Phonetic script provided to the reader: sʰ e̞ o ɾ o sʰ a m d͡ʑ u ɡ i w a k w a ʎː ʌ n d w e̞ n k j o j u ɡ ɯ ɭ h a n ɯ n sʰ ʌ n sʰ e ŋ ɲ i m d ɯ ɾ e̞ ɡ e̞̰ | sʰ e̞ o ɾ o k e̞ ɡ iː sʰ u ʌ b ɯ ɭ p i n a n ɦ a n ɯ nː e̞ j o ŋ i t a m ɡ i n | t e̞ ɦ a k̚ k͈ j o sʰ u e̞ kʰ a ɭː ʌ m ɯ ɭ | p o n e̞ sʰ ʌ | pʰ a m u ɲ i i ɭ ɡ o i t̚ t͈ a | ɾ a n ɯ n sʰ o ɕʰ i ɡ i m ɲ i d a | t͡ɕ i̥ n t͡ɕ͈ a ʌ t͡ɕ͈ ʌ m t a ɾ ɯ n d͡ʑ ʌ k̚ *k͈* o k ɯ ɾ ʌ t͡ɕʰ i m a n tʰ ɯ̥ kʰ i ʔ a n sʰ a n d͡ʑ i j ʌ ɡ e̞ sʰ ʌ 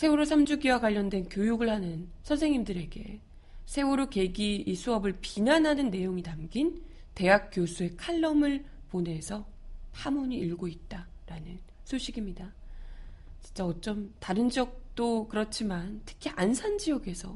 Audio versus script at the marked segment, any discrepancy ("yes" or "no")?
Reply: yes